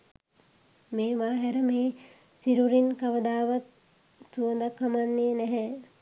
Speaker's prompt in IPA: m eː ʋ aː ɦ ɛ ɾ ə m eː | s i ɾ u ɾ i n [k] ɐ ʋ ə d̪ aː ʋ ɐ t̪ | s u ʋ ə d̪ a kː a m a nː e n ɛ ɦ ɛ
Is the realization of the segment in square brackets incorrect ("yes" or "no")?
no